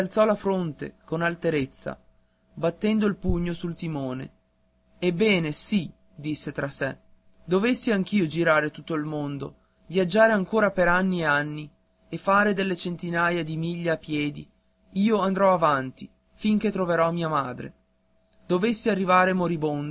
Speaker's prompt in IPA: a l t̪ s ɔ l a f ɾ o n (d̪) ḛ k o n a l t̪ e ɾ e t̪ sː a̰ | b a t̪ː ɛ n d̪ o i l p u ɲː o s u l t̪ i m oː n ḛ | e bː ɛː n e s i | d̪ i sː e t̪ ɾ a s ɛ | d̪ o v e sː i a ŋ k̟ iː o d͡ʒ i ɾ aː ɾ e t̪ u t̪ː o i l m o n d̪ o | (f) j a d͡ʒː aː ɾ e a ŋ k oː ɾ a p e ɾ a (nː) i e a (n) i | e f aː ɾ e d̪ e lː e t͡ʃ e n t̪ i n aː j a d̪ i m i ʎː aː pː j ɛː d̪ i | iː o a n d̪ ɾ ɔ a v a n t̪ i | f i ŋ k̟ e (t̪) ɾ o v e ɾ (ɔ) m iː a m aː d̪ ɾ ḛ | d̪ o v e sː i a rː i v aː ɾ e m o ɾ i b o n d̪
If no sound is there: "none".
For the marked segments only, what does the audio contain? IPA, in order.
t̪, v, nː, nː, t̪, ɔ

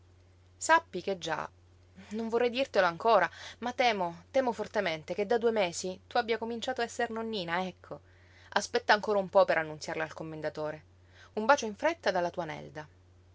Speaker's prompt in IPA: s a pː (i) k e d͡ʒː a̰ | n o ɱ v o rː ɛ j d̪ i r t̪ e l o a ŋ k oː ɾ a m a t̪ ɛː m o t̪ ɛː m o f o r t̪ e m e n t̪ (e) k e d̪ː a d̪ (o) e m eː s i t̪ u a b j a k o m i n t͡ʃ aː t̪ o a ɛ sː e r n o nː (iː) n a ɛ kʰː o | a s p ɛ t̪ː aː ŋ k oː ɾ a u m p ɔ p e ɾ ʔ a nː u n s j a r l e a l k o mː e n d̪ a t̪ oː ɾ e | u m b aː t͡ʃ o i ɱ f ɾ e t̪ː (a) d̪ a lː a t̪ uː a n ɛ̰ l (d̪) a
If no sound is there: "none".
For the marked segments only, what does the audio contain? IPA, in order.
i, e, u, iː, a, d̪

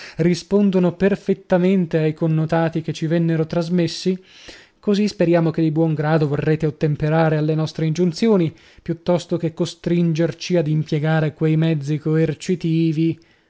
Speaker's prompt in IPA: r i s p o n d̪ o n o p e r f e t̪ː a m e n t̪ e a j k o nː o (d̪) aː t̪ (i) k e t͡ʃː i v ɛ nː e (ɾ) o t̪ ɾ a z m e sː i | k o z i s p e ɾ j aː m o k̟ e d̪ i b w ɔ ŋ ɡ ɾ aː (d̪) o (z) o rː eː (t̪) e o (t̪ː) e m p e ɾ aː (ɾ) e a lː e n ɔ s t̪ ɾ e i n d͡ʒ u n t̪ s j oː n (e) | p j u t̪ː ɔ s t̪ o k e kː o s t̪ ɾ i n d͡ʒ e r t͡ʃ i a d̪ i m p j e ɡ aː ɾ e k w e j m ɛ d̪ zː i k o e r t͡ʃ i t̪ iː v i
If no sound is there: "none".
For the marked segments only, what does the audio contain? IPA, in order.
t̪, i, ɾ, d̪, v, t̪, t̪ː, ɾ, i

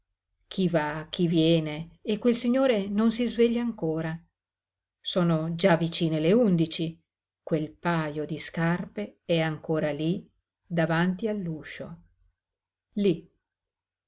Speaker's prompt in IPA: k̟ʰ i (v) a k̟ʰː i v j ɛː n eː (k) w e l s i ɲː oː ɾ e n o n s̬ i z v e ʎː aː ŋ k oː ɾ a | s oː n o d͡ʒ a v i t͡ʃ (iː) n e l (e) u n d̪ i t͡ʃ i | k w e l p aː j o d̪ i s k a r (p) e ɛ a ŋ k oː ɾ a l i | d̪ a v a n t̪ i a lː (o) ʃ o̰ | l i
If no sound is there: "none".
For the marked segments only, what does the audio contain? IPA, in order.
v, k, iː, e, p, u

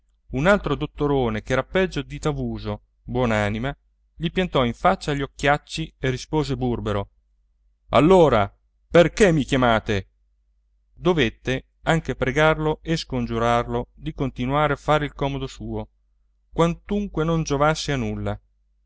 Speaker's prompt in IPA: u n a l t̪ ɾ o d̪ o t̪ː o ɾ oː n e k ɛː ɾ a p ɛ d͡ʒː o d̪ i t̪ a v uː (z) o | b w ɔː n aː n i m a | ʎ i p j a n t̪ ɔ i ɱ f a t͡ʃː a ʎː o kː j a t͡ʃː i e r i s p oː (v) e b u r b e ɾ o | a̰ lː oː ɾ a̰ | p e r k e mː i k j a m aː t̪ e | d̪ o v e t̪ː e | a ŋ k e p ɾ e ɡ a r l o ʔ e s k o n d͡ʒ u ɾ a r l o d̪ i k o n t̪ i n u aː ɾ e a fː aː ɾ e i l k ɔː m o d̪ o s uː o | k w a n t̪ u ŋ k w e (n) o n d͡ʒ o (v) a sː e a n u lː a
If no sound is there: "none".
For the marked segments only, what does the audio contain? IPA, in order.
z, z, n, v

